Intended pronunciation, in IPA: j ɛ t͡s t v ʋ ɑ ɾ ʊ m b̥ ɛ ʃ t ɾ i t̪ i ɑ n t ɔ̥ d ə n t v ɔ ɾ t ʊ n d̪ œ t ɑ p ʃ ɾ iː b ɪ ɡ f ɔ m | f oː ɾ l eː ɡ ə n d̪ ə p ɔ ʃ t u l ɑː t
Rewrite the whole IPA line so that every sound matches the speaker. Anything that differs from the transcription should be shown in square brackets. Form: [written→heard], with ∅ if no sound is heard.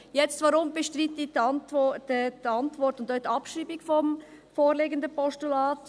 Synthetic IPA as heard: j ɛ t͡s t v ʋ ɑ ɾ ʊ m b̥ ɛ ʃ t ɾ i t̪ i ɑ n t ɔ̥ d [ə→ɑ] n t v ɔ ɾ t ʊ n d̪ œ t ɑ p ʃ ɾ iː b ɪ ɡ f ɔ m | f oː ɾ l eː ɡ ə n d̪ ə p ɔ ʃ t u l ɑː t